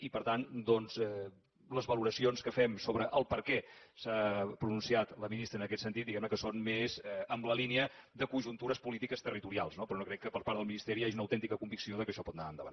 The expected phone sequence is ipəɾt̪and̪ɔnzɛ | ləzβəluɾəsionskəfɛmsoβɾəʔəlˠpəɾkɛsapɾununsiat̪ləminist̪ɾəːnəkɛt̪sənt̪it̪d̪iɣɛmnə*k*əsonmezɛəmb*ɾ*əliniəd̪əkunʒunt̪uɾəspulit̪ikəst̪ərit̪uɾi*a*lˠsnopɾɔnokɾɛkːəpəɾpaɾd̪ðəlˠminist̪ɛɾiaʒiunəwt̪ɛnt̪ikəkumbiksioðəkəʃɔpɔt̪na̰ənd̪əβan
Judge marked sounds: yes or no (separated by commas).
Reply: yes, no, yes